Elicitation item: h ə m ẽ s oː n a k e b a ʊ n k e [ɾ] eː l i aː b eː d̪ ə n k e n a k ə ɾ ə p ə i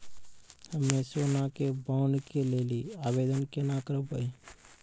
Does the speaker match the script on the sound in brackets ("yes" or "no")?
no